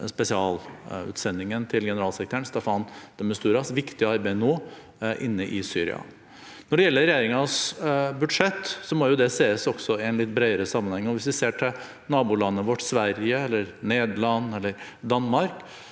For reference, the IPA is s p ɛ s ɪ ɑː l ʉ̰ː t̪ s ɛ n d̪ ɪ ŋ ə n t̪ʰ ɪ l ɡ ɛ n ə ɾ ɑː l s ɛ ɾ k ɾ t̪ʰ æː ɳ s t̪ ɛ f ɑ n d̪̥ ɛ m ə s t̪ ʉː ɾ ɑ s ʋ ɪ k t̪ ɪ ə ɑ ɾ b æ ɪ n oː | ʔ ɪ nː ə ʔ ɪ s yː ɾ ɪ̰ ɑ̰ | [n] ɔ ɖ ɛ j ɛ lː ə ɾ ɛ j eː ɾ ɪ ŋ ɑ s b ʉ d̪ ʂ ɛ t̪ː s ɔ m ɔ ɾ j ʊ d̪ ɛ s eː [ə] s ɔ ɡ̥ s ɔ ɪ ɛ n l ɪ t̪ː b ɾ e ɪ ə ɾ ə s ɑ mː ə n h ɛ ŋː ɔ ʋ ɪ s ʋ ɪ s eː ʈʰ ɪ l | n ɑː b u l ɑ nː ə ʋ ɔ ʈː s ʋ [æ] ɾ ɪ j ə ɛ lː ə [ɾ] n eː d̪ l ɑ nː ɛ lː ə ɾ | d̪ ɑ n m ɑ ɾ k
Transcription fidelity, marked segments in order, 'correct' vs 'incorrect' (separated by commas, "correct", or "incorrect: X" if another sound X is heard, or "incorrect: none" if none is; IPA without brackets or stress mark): correct, correct, correct, correct